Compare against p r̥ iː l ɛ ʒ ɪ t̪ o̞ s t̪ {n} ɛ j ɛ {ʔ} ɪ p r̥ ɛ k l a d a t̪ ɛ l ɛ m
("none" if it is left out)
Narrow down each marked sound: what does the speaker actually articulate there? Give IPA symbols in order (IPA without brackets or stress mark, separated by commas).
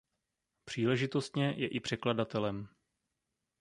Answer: ɲ, ʔ